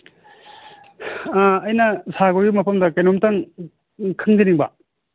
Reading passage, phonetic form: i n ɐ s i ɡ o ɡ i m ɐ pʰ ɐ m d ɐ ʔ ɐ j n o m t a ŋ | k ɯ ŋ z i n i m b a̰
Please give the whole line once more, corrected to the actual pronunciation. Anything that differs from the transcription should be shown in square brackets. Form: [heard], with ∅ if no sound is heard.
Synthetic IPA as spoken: [j] n ɐ s [a] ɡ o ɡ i m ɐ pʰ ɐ m d ɐ [k] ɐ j n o m t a ŋ | [kʰ] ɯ ŋ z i n i [ŋ] b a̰